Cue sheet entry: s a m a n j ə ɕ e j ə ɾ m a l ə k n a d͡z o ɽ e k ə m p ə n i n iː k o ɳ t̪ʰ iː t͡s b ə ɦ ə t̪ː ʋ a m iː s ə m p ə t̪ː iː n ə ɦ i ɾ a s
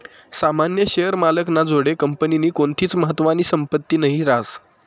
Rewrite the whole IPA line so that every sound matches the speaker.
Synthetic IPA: s a m a n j ə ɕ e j ə ɾ m a l ə k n a d͡z o ɽ e k ə m p ə n i n iː k o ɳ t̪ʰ iː t͡s m ə ɦ ə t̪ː ʋ a n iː s ə m p ə t̪ː iː n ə ɦ i ɾ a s

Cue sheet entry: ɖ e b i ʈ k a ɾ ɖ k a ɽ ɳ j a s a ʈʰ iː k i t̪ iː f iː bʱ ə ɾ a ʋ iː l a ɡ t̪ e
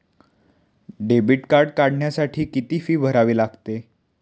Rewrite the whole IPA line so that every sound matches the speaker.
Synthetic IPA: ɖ e b i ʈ k a ɾ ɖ k a ɽ ɳ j a s a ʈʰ iː k i t̪ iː f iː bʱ ə ɾ a ʋ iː l a ɡ t̪ e

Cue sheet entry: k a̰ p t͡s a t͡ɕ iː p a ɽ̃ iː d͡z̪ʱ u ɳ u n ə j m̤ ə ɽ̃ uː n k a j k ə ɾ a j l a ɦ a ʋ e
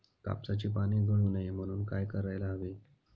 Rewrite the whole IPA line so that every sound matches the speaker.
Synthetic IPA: k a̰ p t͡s a t͡ɕ iː p a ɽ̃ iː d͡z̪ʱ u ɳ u n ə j m̤ ə ɽ̃ uː n k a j k ə ɾ a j l a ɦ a ʋ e

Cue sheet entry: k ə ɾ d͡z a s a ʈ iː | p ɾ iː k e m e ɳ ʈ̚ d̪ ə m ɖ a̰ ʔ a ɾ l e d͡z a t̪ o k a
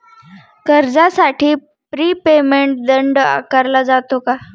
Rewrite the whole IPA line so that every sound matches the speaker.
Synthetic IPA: k ə ɾ d͡z a s a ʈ iː | p ɾ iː p e m e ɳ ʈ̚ d̪ ə ɳ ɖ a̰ k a ɾ l a d͡z a t̪ o k a

